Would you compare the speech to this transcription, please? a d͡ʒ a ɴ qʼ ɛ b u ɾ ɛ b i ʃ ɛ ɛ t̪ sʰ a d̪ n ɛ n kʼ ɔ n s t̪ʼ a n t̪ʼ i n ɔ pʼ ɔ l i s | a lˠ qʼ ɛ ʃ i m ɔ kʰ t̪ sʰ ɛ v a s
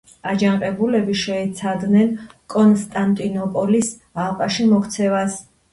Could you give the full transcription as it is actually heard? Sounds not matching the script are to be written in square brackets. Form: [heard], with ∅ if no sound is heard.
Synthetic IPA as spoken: a d͡ʒ a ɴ qʼ ɛ b u [l] ɛ b i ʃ ɛ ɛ t̪ sʰ a d̪ n ɛ n kʼ ɔ n s t̪ʼ a n t̪ʼ i n ɔ pʼ ɔ l i s | a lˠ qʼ [a] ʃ i m ɔ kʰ t̪ sʰ ɛ v a s